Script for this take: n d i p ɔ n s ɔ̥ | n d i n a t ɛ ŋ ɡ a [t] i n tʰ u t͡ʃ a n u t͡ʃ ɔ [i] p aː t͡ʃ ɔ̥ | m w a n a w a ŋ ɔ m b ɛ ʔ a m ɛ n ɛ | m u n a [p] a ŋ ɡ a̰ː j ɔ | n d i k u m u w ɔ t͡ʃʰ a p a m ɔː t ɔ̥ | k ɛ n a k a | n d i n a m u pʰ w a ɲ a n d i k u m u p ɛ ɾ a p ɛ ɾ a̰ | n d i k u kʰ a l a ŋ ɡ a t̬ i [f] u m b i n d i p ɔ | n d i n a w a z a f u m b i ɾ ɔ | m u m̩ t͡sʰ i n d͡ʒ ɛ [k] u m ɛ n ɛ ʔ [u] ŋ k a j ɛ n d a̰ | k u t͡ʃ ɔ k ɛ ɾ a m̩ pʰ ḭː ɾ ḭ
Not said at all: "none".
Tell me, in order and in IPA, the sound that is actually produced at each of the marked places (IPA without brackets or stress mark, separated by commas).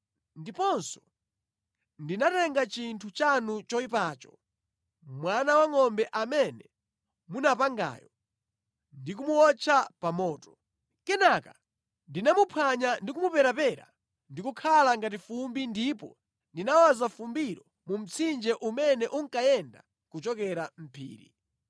t͡ʃ, i, p, f, ʔ, u